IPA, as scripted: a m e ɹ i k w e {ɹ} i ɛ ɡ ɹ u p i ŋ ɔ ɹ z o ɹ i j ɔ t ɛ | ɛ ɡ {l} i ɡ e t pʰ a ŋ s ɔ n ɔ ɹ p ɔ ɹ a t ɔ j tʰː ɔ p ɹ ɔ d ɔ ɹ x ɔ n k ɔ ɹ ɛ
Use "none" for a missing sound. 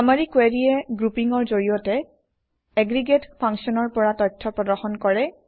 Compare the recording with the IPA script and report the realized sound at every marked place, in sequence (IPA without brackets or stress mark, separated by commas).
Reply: ɹ, ɹ